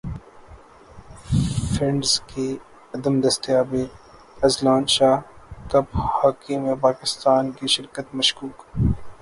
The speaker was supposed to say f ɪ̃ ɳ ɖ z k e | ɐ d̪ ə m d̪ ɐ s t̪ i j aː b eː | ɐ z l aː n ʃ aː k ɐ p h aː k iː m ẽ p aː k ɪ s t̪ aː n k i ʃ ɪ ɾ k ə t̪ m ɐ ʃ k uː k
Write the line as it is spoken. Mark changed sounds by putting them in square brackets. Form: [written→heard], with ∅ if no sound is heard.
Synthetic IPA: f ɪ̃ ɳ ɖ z k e | ɐ d̪ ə m d̪ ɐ s t̪ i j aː b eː | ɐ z l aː n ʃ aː k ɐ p h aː k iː m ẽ p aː k ɪ s t̪ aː n k i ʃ ɪ ɾ k ə t̪ m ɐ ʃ k uː k